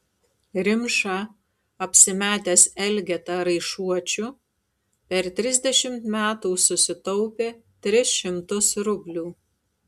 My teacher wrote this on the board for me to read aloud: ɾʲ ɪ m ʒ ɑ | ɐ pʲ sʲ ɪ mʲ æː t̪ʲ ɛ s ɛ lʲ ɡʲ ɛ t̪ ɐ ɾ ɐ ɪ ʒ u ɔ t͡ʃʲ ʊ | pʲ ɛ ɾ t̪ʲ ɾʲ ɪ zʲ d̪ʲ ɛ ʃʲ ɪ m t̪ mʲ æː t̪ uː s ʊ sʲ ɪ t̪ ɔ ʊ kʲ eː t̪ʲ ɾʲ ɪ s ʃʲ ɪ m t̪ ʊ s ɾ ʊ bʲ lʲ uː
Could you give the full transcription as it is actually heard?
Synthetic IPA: ɾʲ ɪ m ʃ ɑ | ɐ pʲ sʲ ɪ mʲ æː t̪ʲ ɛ s ɛ lʲ ɡʲ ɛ t̪ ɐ ɾ ɐ ɪ ʃ u ɔ t͡ʃʲ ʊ | pʲ ɛ ɾ t̪ʲ ɾʲ ɪ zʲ d̪ʲ ɛ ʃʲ ɪ m t̪ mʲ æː t̪ uː s ʊ sʲ ɪ t̪ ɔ ʊ pʲ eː t̪ʲ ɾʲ ɪ s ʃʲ ɪ m t̪ ʊ s ɾ ʊ bʲ lʲ uː

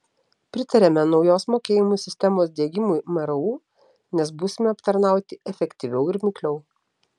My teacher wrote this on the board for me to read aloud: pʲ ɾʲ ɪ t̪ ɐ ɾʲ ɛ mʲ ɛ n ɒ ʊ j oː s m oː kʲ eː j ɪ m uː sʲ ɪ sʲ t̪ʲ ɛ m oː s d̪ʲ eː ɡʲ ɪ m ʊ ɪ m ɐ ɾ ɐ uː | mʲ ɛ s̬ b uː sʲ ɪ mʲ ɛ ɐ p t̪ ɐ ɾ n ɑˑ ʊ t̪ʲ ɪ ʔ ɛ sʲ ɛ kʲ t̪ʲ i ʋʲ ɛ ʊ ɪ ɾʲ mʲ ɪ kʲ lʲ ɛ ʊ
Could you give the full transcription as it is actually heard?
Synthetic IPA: pʲ ɾʲ ɪ t̪ ɐ ɾʲ ɛ mʲ ɛ n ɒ ʊ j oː s m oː kʲ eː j ɪ m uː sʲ ɪ sʲ t̪ʲ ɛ m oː s d̪ʲ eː ɡʲ ɪ m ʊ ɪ m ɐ ɾ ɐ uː | nʲ ɛ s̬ b uː sʲ ɪ mʲ ɛ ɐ p t̪ ɐ ɾ n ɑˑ ʊ t̪ʲ ɪ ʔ ɛ fʲ ɛ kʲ t̪ʲ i ʋʲ ɛ ʊ ɪ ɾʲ mʲ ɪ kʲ lʲ ɛ ʊ

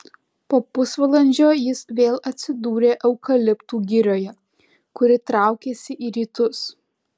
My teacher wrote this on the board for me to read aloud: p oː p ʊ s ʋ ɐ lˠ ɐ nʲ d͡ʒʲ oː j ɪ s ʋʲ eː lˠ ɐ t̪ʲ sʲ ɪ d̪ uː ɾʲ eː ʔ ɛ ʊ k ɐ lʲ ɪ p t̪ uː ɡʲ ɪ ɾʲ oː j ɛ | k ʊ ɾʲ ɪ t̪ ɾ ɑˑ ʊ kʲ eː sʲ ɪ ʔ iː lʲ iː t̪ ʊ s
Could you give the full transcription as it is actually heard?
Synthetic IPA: p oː p ʊ s ʋ ɐ lˠ ɐ nʲ d͡ʒʲ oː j ɪ s ʋʲ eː lˠ ɐ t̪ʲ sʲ ɪ d̪ uː ɾʲ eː ʔ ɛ ʊ k ɐ lʲ ɪ p t̪ uː ɡʲ ɪ ɾʲ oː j ɛ | k ʊ ɾʲ ɪ t̪ ɾ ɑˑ ʊ kʲ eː sʲ ɪ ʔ iː ɾʲ iː t̪ ʊ s

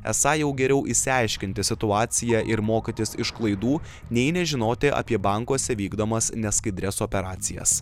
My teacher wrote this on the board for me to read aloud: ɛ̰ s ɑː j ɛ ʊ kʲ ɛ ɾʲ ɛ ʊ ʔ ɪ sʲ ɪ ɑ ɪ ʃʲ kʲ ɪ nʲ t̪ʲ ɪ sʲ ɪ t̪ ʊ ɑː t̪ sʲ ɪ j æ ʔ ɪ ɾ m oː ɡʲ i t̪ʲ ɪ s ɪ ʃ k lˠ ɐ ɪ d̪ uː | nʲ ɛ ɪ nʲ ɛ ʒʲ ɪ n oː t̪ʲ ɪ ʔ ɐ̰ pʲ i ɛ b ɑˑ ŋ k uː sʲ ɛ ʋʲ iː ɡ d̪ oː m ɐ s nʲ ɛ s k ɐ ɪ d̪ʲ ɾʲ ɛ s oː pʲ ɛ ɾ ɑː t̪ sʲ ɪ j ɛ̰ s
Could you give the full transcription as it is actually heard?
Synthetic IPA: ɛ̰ s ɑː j ɛ ʊ ɡʲ ɛ ɾʲ ɛ ʊ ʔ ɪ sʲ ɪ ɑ ɪ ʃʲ kʲ ɪ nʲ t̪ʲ ɪ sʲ ɪ t̪ ʊ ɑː t̪ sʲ ɪ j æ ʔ ɪ ɾ m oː kʲ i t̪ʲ ɪ s ɪ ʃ k lˠ ɐ ɪ d̪ uː | nʲ ɛ ɪ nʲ ɛ ʒʲ ɪ n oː t̪ʲ ɪ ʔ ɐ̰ pʲ i ɛ b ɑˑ ŋ k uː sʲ ɛ ʋʲ iː ɡ d̪ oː m ɐ s nʲ ɛ s k ɐ ɪ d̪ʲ ɾʲ ɛ s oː pʲ ɛ ɾ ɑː t̪ sʲ ɪ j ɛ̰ s

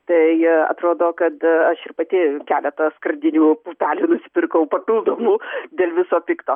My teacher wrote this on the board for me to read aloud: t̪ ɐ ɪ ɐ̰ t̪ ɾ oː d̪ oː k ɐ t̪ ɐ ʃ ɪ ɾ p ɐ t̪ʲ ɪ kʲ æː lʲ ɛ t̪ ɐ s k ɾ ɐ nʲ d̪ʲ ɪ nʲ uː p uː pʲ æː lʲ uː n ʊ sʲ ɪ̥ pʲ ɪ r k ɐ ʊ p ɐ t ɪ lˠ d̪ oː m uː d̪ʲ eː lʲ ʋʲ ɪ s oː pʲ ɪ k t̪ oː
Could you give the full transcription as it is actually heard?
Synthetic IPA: t̪ ɐ ɪ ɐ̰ t̪ ɾ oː d̪ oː k ɐ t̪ ɐ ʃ ɪ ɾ p ɐ t̪ʲ ɪ kʲ æː lʲ ɛ t̪ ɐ s k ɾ ɐ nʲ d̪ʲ ɪ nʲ uː p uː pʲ æː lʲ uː n ʊ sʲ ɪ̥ pʲ ɪ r k ɐ ʊ p ɐ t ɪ lˠ d̪ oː m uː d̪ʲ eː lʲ ʋʲ ɪ s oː pʲ ɪ k t̪ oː

